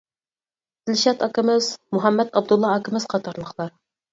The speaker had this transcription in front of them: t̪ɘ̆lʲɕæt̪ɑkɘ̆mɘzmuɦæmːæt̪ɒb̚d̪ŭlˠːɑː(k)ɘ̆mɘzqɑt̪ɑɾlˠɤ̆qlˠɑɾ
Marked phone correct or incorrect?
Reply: correct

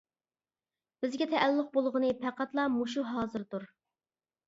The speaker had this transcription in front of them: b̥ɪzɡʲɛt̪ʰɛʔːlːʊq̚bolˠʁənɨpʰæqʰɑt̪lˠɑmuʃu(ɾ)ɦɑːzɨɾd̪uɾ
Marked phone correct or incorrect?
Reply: incorrect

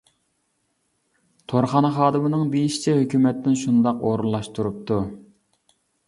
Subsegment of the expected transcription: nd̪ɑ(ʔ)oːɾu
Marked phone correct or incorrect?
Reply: incorrect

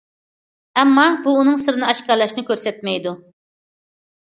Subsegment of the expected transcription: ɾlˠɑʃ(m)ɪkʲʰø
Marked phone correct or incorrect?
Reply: incorrect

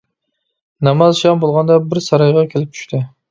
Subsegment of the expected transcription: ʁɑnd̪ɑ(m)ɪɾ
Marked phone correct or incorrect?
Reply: incorrect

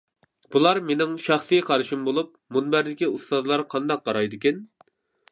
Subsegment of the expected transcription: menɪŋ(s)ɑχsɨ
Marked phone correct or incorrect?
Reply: incorrect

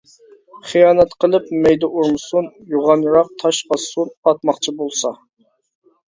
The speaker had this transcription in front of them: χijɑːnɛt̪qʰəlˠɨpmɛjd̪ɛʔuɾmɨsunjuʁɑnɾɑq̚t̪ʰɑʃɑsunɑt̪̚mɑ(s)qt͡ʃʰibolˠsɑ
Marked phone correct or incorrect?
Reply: incorrect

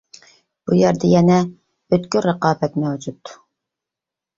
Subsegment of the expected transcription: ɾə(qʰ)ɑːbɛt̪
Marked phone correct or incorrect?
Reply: incorrect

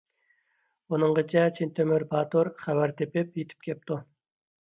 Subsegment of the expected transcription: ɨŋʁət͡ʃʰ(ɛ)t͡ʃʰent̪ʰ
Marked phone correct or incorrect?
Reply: correct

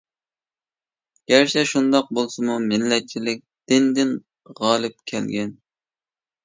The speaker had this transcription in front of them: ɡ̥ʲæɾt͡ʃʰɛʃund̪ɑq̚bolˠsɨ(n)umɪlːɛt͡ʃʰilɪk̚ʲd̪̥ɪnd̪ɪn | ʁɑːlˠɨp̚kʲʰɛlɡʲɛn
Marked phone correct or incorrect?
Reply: incorrect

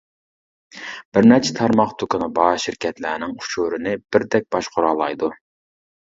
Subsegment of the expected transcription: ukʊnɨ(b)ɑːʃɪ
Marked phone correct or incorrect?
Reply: correct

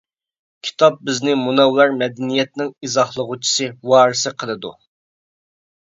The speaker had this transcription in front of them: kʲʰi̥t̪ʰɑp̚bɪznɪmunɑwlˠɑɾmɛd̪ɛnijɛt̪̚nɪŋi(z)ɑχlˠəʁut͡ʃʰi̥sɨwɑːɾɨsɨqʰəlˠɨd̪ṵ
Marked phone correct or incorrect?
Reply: correct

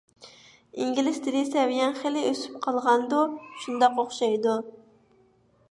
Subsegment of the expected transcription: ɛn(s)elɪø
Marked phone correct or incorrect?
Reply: incorrect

